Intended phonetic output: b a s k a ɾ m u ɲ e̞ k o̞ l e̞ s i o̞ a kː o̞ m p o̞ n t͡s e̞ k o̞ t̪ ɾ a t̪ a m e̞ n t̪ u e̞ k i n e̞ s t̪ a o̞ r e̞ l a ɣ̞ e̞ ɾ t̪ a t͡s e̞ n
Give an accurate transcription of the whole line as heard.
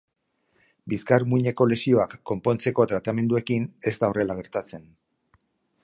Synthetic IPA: b i s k a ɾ m u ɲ e̞ k o̞ l e̞ s i o̞ a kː o̞ m p o̞ n t͡s e̞ k o̞ t̪ ɾ a t̪ a m e̞ n d̪ u e̞ k i n e̞ s t̪ a o̞ r e̞ l a ɣ̞ e̞ ɾ t̪ a t͡s e̞ n